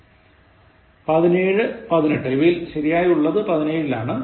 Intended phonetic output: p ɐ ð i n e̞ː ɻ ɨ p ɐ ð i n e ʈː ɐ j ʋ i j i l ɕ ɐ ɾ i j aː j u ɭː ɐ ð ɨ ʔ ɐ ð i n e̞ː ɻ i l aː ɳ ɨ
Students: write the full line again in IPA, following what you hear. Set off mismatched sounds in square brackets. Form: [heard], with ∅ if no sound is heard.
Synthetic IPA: p ɐ ð i n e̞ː ɻ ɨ p ɐ ð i n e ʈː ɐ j ʋ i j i l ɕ ɐ ɾ i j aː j u ɭː ɐ ð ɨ [p] ɐ ð i n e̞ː ɻ i l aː ɳ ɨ